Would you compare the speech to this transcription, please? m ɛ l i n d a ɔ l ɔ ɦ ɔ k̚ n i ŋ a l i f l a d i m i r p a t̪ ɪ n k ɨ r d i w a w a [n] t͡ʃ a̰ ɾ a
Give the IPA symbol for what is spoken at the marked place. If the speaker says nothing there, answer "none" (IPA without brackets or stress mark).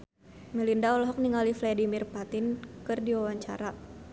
ɲ